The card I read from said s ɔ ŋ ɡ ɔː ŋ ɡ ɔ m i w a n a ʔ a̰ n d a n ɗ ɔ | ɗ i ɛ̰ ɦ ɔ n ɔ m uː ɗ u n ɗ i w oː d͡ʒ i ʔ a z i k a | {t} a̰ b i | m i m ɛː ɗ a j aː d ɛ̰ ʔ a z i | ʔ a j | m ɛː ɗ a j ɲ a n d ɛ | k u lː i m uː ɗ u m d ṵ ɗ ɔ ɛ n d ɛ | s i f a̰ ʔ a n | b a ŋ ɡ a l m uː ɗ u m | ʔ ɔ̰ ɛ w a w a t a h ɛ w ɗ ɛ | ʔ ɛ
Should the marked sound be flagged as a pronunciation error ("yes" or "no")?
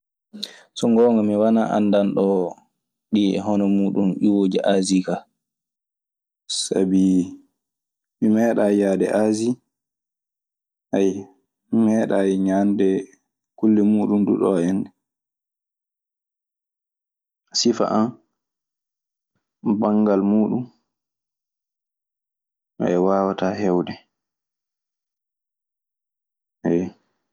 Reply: yes